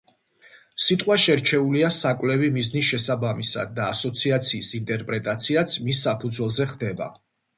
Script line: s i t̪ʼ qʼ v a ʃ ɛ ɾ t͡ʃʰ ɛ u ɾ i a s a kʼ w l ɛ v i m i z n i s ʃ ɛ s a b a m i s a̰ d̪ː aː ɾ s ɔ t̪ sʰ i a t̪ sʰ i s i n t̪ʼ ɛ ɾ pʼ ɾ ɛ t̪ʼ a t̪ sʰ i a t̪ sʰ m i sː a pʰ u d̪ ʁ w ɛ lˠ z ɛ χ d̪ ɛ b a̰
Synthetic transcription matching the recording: s i t̪ʼ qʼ w a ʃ ɛ ɾ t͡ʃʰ ɛ u l i a s a kʼ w l ɛ v i m i z n i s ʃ ɛ s a b a m i s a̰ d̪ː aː s ɔ t̪ sʰ i a t̪ sʰ iː s i n t̪ʼ ɛ ɾ pʼ ɾ ɛ t̪ʼ a t̪ sʰ i a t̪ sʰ m i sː a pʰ u d̪ z w ɛ lˠ z ɛ χ d̪ ɛ b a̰